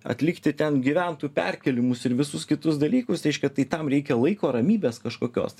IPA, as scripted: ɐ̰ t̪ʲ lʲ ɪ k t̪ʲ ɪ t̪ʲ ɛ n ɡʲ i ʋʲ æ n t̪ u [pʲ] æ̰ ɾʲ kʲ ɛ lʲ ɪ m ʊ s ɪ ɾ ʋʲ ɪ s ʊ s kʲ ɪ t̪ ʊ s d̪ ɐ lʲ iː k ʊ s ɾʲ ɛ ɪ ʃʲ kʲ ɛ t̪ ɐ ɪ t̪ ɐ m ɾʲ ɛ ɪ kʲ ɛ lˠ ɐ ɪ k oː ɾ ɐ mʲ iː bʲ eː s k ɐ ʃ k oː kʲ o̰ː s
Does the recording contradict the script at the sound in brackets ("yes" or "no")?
no